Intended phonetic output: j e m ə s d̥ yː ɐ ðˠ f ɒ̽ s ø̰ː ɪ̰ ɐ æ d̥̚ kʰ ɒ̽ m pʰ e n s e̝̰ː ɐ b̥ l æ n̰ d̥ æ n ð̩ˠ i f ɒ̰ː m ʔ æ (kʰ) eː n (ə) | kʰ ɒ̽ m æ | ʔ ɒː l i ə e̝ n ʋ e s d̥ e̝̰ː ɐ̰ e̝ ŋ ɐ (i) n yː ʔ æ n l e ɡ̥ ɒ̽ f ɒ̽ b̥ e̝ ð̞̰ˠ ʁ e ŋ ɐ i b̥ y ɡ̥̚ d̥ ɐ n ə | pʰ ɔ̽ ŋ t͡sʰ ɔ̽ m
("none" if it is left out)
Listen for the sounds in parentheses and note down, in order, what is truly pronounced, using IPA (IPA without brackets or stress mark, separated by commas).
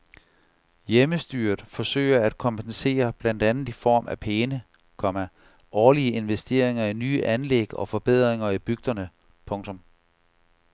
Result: pʰ, ə, i